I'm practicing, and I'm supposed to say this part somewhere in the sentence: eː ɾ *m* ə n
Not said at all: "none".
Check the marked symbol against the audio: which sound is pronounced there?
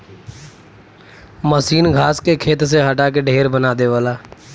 b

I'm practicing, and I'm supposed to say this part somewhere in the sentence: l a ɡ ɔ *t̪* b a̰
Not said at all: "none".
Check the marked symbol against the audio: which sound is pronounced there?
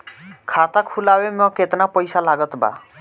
t̪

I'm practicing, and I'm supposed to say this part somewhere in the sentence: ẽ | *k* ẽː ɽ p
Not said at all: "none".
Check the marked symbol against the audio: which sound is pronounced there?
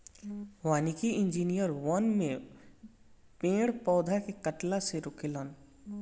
p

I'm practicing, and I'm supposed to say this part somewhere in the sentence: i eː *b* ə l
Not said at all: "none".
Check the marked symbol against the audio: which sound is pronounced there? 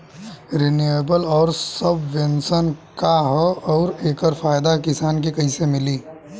b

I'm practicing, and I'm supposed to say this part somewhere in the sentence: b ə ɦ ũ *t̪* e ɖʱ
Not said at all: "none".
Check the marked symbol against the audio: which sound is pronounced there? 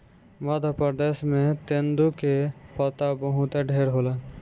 t̪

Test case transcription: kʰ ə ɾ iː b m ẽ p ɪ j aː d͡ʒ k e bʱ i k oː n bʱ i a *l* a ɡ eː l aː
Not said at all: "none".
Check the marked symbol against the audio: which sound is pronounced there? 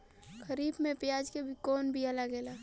l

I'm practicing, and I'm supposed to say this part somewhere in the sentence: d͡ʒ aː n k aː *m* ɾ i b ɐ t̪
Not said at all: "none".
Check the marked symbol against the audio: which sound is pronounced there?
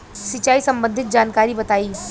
none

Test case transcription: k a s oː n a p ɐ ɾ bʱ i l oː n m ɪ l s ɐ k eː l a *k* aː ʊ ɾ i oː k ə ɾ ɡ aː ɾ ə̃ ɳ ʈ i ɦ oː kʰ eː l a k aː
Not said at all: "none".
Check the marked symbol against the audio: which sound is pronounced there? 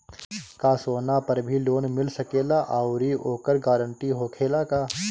ʔ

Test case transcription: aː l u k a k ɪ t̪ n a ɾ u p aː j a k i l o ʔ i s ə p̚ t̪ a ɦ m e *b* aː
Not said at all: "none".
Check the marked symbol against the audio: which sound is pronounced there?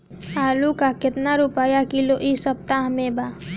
b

